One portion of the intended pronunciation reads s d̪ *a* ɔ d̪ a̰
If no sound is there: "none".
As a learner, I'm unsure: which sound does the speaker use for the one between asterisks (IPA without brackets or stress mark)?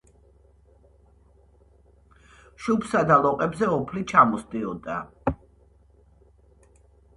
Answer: i